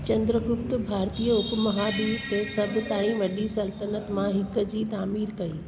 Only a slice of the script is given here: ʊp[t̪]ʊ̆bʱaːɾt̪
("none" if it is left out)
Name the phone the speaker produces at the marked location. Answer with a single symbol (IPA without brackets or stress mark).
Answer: t̪